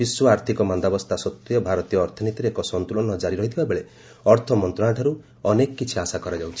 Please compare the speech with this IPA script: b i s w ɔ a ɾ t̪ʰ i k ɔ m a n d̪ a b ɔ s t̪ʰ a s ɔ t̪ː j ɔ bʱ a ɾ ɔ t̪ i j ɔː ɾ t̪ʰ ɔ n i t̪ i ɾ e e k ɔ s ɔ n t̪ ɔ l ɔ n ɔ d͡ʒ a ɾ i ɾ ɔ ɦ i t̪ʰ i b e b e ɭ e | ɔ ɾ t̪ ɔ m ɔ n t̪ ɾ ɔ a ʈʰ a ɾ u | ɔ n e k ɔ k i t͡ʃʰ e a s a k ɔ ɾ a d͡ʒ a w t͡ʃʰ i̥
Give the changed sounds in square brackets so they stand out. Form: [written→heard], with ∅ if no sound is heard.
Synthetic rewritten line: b i s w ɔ a ɾ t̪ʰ i k ɔ m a n d̪ a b ɔ s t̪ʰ a s ɔ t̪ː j ɔ bʱ a ɾ ɔ t̪ i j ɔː ɾ t̪ʰ ɔ n i t̪ i ɾ e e k ɔ s ɔ n t̪ [ɔ→u] l ɔ n ɔ d͡ʒ a ɾ i ɾ ɔ ɦ i t̪ʰ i b [e→a] b e ɭ e | ɔ ɾ [t̪→t̪ʰ] ɔ m ɔ n t̪ ɾ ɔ a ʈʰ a ɾ u | ɔ n e k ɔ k i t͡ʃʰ [e→i] a s a k ɔ ɾ a d͡ʒ a w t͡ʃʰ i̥